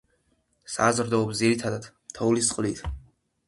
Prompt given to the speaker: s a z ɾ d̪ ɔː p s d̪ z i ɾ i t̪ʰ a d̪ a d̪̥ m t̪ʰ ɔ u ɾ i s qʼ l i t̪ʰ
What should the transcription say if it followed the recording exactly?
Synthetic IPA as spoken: s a z ɾ d̪ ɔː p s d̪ z i ɾ i t̪ʰ a d̪ a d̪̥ m t̪ʰ ɔ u l i s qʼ l i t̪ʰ